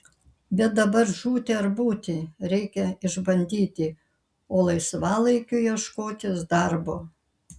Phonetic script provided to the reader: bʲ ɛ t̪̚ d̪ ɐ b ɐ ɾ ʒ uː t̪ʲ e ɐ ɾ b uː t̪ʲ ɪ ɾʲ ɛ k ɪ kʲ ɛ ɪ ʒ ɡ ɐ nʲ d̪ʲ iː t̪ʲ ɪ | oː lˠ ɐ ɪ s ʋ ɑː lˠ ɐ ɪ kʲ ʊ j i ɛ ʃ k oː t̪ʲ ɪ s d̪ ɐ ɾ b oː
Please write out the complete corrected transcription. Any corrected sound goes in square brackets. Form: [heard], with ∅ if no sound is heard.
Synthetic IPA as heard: bʲ ɛ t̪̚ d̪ ɐ b ɐ ɾ ʒ uː t̪ʲ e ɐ ɾ b uː t̪ʲ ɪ ɾʲ ɛ [∅] ɪ kʲ ɛ ɪ ʒ [b] ɐ nʲ d̪ʲ iː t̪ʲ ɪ | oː lˠ ɐ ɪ s ʋ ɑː lˠ ɐ ɪ kʲ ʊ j i ɛ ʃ k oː t̪ʲ ɪ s d̪ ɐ ɾ b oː